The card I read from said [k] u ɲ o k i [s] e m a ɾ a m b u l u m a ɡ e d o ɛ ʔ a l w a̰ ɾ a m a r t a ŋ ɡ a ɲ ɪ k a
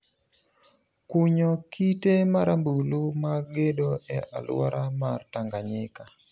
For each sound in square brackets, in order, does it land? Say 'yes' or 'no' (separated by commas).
yes, no